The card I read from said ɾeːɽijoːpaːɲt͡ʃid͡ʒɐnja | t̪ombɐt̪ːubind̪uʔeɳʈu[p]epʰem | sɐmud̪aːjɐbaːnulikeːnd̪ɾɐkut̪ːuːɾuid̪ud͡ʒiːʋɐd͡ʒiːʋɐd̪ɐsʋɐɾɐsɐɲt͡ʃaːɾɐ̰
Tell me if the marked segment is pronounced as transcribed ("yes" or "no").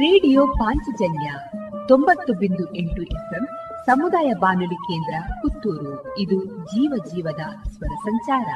no